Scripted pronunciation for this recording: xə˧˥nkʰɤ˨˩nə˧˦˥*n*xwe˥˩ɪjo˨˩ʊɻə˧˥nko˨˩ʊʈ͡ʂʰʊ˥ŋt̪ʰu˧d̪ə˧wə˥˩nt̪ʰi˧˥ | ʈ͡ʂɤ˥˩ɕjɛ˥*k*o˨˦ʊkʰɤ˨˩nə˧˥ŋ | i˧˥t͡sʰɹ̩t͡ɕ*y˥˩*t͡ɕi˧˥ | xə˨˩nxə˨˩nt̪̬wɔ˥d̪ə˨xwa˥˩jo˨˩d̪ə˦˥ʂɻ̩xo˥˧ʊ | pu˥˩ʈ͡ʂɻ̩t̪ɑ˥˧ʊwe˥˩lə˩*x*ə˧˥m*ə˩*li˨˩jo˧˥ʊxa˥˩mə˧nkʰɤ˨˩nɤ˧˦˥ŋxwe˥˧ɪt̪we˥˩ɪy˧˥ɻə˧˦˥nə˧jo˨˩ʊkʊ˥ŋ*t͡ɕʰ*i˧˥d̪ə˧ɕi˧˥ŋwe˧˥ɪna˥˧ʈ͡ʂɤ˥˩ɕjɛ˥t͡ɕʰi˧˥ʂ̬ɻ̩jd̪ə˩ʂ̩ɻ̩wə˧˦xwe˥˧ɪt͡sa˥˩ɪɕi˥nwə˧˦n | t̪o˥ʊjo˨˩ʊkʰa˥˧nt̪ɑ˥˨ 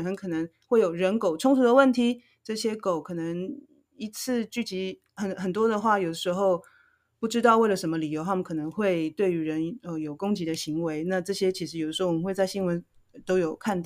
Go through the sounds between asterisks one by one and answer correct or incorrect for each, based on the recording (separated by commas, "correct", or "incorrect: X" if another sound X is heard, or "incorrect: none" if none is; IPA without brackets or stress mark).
incorrect: ŋ, correct, correct, incorrect: ʂ, incorrect: ə˧, incorrect: t͡ɕ